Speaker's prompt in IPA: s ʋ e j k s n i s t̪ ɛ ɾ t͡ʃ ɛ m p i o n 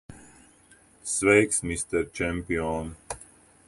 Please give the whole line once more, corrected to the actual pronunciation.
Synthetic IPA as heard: s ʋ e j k s m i s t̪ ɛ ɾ t͡ʃ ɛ m p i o n